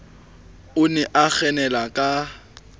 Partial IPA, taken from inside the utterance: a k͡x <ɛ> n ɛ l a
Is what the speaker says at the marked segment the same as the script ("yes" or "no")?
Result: yes